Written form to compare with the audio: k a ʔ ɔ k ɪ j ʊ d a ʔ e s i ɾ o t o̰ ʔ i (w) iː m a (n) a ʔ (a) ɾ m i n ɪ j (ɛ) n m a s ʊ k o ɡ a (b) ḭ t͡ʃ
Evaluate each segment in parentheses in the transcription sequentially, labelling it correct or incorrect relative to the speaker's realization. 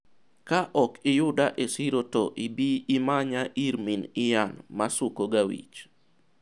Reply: incorrect, incorrect, incorrect, incorrect, incorrect

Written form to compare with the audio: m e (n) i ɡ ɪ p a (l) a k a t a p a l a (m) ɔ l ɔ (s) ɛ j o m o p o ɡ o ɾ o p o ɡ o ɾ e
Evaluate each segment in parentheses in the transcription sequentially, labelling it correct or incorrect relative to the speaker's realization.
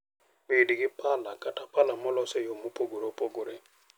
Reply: incorrect, correct, correct, correct

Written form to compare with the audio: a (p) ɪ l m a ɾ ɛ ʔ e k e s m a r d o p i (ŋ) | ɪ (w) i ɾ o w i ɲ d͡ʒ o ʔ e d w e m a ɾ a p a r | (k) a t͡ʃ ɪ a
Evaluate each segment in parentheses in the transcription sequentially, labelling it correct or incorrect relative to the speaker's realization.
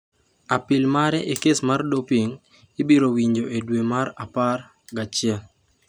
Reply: correct, correct, incorrect, incorrect

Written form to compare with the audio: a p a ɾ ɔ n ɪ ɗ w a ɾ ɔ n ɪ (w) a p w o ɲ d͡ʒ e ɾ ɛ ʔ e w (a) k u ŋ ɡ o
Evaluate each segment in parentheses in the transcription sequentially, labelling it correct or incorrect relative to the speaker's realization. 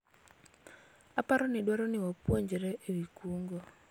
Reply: correct, incorrect

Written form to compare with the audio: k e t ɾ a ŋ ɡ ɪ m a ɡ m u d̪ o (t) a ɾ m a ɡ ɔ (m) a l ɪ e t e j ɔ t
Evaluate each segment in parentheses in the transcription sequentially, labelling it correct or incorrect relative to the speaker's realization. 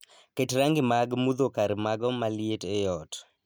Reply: incorrect, correct

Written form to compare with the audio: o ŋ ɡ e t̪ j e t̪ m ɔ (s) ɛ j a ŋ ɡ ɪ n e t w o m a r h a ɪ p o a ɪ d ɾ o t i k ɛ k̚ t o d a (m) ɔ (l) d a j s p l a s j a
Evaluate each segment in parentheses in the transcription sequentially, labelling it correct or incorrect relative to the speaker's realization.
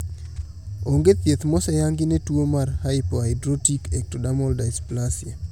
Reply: correct, correct, correct

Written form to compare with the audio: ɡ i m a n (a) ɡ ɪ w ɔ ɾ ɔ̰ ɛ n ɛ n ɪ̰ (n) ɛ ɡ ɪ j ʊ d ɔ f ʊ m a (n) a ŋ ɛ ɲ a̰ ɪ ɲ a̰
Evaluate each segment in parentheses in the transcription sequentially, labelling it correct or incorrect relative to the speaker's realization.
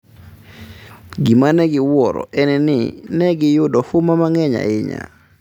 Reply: incorrect, correct, incorrect

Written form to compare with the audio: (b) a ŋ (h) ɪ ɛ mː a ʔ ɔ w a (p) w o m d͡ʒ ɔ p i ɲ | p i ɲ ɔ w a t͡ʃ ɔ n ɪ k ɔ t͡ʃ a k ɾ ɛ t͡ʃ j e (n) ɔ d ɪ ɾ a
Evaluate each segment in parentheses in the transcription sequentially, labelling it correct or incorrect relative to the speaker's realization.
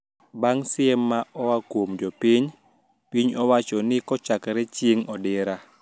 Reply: correct, incorrect, incorrect, incorrect

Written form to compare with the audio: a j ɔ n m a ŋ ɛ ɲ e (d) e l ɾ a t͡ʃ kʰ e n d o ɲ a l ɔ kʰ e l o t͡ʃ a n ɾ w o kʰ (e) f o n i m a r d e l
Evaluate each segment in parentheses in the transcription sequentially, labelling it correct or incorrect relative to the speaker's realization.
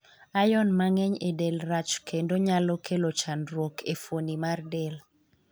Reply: correct, correct

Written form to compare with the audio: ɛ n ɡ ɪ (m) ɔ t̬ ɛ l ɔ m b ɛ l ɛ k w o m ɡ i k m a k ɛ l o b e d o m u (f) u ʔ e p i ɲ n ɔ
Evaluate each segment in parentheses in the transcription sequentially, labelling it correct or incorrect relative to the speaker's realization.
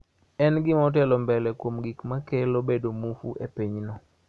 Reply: correct, correct

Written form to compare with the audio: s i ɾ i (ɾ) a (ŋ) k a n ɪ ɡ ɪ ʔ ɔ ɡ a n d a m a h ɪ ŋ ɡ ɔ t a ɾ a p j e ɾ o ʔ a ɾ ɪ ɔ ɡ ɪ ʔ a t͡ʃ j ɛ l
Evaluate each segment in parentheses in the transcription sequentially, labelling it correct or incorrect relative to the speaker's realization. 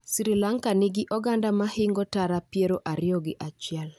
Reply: incorrect, correct

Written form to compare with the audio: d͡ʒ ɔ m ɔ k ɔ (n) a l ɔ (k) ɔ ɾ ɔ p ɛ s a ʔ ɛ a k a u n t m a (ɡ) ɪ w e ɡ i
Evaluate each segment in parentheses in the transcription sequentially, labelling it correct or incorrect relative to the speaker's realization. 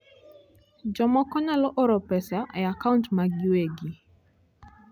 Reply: correct, incorrect, correct

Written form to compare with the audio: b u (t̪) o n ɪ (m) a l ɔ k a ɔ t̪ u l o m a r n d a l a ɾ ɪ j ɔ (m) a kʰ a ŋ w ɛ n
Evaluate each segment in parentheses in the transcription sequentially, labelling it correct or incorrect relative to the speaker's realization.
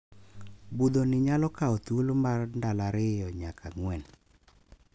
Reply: incorrect, incorrect, incorrect

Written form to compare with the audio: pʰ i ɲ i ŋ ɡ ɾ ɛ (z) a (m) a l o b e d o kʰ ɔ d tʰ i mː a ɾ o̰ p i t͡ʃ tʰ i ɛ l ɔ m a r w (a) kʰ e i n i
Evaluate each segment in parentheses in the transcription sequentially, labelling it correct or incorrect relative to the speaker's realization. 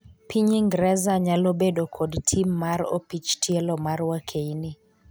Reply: correct, incorrect, correct

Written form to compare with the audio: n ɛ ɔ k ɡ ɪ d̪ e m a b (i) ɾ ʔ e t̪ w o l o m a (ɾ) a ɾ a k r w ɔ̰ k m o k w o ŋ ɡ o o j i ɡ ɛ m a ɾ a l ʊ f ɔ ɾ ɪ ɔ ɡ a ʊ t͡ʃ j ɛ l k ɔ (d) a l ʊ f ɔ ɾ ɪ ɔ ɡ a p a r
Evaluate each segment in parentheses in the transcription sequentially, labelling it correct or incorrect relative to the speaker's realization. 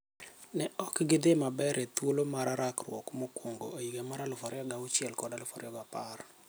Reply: incorrect, correct, correct

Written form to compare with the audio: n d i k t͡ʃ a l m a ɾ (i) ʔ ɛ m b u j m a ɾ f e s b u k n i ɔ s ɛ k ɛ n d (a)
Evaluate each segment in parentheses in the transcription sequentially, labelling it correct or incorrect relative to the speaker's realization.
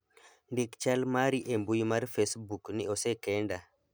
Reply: correct, correct

